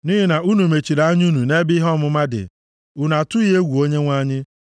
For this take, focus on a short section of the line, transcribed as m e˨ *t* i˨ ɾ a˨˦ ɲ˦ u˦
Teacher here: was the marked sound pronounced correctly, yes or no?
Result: no